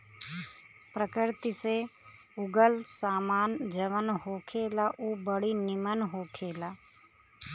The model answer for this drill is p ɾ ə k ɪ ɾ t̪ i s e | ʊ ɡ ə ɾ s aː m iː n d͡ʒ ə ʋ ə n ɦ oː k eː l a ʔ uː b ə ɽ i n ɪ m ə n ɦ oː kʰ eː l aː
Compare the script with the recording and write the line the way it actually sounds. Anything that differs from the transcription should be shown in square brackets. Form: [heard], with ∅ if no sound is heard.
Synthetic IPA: p ɾ ə k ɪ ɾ t̪ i s e | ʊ ɡ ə [l] s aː m [aː] n d͡ʒ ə ʋ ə n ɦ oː [kʰ] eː l a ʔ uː b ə ɽ i n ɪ m ə n ɦ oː kʰ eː l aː

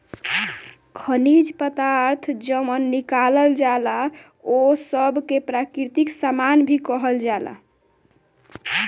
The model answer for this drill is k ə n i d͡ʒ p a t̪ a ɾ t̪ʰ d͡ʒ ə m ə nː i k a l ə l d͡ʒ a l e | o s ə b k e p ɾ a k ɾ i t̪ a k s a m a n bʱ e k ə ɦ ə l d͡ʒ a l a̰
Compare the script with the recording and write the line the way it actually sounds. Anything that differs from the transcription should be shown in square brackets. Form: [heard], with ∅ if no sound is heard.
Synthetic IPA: [kʰ] ə n i d͡ʒ p [ə] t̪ a ɾ t̪ʰ d͡ʒ ə m ə nː i k a l ə l d͡ʒ a l [a] | o s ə b k e p ɾ a k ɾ i t̪ [i] k s a m a n bʱ [i] k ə ɦ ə l d͡ʒ a l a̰

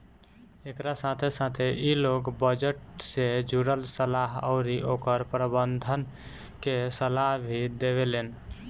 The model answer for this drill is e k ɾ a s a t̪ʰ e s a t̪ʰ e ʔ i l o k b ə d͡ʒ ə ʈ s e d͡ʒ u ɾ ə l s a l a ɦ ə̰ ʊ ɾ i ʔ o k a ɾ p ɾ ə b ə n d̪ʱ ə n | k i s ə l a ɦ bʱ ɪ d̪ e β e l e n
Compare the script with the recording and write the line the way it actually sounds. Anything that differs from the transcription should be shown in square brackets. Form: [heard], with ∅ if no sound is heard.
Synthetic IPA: e k ɾ a s a t̪ʰ e s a t̪ʰ e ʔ i l o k b ə d͡ʒ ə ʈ s e d͡ʒ u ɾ ə l s [ə] l a ɦ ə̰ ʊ ɾ i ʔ o k [ə] ɾ p ɾ ə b ə n d̪ʱ ə n | k [e] s ə l a ɦ bʱ [i] d̪ e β e l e n

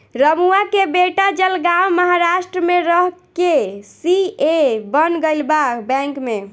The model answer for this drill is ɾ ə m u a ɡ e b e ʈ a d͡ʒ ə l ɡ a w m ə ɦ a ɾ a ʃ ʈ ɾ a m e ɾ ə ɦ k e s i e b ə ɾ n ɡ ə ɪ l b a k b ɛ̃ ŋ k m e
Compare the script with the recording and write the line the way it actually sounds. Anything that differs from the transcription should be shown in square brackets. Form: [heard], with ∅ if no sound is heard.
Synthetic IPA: ɾ ə m u a [k] e b e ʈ a d͡ʒ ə l ɡ a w m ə ɦ a ɾ a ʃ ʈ ɾ [ə] m e ɾ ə ɦ k e s i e b ə [∅] n ɡ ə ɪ l b a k b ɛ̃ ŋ k m e

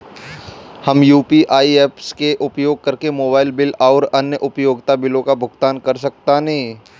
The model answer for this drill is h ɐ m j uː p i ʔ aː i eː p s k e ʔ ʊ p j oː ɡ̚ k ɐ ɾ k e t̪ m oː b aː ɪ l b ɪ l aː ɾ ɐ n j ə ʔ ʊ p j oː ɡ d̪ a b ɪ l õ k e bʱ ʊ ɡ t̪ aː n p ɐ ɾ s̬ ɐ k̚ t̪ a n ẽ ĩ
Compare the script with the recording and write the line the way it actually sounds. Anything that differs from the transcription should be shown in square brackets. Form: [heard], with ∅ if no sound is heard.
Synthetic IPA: h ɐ m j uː p i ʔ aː i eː p s k e ʔ ʊ p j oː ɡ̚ k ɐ ɾ k e [∅] m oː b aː ɪ l b ɪ l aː ɾ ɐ n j ə ʔ ʊ p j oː ɡ [t̪] a b ɪ l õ k [a] bʱ ʊ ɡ t̪ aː n [k] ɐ ɾ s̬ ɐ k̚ t̪ a n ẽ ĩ

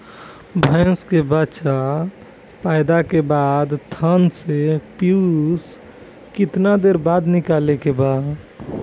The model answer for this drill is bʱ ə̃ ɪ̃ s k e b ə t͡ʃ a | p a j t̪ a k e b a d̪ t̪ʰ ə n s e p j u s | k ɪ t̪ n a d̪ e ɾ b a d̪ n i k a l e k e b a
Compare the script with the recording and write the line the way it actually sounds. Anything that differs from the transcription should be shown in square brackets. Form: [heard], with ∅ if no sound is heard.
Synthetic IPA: bʱ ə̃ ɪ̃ s k e b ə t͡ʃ a | p a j [d̪] a k e b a d̪ t̪ʰ ə n s e p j u s | k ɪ t̪ n a d̪ e ɾ b a d̪ n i k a l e k e b a

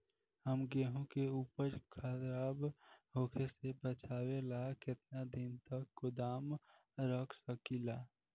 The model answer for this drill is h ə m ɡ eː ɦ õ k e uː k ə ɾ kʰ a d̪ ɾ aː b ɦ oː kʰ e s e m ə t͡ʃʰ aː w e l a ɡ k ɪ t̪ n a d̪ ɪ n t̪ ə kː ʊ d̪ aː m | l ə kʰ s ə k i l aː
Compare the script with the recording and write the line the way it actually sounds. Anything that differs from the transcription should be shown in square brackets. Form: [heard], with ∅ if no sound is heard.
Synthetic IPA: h ə m ɡ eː ɦ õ k e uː [p] ə ɾ kʰ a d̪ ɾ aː b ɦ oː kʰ e s e [b] ə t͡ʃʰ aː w e l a [∅] k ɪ t̪ n a d̪ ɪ n t̪ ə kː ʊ d̪ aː m | [ɾ] ə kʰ s ə k i l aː

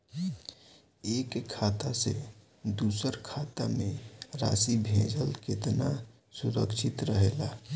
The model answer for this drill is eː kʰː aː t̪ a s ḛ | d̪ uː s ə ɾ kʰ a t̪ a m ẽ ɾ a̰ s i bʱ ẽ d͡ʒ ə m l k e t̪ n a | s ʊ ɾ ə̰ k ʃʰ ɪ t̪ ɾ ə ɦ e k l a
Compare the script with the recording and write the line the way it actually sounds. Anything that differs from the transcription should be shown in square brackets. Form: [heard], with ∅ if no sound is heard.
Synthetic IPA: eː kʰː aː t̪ a s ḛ | d̪ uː s ə ɾ kʰ a t̪ a m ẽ ɾ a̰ s i bʱ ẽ d͡ʒ ə [∅] l k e t̪ n a | s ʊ ɾ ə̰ k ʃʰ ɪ t̪ ɾ ə ɦ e [∅] l a

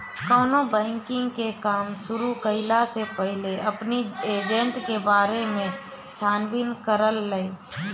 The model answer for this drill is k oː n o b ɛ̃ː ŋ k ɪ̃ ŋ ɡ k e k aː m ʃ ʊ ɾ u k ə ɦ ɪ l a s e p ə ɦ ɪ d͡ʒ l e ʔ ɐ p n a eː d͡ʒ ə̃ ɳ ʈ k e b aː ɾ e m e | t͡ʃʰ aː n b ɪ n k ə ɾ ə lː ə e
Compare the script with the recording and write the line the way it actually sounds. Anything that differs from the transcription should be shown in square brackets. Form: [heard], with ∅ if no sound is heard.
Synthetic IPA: k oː n o b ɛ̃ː ŋ k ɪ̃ ŋ ɡ k e k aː m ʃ ʊ ɾ u k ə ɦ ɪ l a s e p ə ɦ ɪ [∅] l e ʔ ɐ p n [i] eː d͡ʒ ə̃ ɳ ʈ k e b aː ɾ e m [ẽ] | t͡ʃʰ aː n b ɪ n k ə ɾ ə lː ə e

